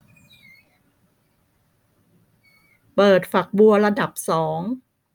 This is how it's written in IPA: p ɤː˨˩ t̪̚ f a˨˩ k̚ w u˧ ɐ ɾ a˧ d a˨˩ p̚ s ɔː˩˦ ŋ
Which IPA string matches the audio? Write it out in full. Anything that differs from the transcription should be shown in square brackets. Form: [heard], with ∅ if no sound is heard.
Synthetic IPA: p ɤː˨˩ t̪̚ f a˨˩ k̚ [b] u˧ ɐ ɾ a˧ d a˨˩ p̚ s ɔː˩˦ ŋ